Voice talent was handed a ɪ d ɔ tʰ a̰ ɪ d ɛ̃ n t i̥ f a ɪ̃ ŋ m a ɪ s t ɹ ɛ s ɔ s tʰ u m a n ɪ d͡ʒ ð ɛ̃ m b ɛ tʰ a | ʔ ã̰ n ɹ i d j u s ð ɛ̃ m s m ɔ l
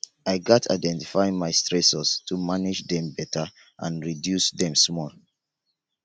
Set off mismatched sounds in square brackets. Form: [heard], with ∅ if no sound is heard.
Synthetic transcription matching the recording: a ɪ [ɡ] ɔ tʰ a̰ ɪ d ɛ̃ n t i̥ f a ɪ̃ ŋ m a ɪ s t ɹ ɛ s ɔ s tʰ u m a n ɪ d͡ʒ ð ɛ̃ m b ɛ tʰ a | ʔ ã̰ n ɹ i d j u s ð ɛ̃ m s m ɔ l

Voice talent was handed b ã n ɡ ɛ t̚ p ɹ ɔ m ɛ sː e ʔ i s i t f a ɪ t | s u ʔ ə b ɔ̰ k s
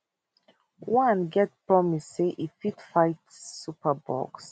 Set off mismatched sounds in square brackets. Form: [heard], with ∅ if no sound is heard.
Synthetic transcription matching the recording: [w] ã n ɡ ɛ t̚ p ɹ ɔ m [i] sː e ʔ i [f] i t f a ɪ t | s u [p] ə b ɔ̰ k s

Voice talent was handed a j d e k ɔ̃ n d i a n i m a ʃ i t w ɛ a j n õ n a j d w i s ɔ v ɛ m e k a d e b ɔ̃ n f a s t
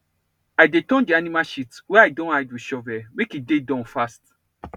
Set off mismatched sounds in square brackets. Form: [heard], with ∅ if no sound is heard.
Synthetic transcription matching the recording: a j d e [t] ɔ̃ n d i a n i m a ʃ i t w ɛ a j [d] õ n a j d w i [ʃ] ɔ v ɛ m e k [i] d e [d] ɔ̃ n f a s t

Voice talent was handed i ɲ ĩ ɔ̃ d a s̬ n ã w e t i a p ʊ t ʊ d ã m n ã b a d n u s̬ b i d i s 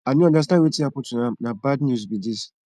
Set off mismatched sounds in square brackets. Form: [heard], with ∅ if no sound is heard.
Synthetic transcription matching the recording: [a] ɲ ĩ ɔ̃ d a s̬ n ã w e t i a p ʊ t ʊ [n] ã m n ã b a d n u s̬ b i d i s

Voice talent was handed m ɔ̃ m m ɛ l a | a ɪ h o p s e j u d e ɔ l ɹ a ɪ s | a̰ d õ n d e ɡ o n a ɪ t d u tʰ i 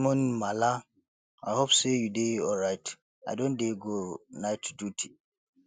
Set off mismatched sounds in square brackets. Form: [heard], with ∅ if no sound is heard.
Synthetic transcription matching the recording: m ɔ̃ [n] m [a] l a | a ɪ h o p s e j u d e ɔ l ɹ a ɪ [t] | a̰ d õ n d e ɡ o n a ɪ t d u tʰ i

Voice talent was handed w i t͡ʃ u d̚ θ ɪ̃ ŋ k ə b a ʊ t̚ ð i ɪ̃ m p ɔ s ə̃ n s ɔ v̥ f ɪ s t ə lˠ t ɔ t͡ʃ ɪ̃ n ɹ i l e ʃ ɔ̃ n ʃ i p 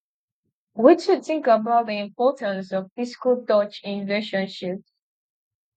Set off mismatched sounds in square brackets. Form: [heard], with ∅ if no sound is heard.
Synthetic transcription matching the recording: w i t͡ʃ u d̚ θ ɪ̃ ŋ k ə b a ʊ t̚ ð i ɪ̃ m p ɔ [t] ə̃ n s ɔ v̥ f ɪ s [k] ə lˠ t ɔ t͡ʃ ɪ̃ n ɹ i l e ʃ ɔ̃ n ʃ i p

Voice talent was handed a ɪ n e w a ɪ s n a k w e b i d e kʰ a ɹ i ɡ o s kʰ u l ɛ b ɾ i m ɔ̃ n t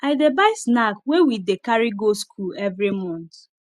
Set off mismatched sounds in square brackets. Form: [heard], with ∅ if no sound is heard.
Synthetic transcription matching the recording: a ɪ [d] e [b] a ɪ s n a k w e [w] i d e [k] a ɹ i ɡ o s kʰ u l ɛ [v] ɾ i m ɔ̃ n t

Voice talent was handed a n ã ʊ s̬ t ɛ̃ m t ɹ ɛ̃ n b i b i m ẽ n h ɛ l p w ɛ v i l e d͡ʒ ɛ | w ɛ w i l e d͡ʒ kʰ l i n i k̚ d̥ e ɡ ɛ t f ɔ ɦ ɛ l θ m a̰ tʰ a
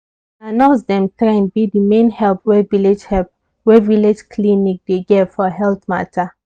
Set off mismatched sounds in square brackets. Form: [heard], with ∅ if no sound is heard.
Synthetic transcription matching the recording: a n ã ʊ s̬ [d] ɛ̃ m t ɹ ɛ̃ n b i [d] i m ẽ n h ɛ l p w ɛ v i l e d͡ʒ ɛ | w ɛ [v] i l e d͡ʒ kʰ l i n i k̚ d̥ e ɡ ɛ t f ɔ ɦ ɛ l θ m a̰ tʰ a

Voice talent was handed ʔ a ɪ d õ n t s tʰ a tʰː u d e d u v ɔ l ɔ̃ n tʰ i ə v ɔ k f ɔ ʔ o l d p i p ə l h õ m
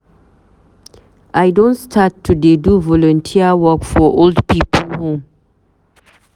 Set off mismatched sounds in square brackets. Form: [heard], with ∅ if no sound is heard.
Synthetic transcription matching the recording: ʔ a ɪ d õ n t s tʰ a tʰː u d e d u v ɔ l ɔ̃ n tʰ i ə [w] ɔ k f ɔ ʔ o l d p i p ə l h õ m

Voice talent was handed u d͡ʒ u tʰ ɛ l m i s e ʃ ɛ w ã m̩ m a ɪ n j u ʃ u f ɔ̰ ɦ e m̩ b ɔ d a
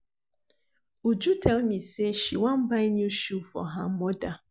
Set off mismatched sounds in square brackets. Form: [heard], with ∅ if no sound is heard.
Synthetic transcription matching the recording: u d͡ʒ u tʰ ɛ l m i s e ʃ [i] w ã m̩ [b] a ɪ n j u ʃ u f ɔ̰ ɦ [a] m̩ [m] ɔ d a

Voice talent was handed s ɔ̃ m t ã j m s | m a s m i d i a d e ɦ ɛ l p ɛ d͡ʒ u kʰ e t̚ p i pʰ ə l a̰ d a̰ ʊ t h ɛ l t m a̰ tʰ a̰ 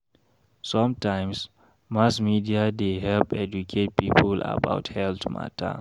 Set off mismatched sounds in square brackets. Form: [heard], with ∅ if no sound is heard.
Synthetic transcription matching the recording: s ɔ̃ m t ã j m s | m a s m i d i a d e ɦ ɛ l p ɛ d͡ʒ u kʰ e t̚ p i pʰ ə l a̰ [b] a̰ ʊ t h ɛ l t m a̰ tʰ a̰

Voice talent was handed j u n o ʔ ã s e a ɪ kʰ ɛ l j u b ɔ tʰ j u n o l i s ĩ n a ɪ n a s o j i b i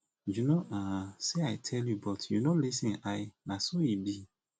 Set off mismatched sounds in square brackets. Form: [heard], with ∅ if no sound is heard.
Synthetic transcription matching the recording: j u n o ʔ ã s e a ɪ [tʰ] ɛ l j u b ɔ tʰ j u n o l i s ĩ n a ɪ n a s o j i b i

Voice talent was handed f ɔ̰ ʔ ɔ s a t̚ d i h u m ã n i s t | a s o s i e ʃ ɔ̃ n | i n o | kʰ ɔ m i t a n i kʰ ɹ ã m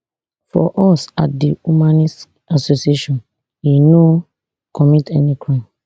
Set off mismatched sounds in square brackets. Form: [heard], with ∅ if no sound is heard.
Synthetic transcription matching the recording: f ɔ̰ ʔ ɔ s a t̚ d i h u m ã n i s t | a s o s i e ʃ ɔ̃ n | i n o | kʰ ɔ m i t [ɛ] n i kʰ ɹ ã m

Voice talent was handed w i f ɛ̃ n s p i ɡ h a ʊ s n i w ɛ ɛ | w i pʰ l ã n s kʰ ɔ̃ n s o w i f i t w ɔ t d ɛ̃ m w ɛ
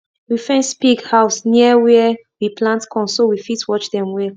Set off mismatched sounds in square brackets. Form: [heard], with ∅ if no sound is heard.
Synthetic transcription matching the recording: w i f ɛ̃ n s p i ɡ h a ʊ s n i w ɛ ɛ | w i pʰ l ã n [t] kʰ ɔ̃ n s o w i f i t w ɔ [t͡ʃ] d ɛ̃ m w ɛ

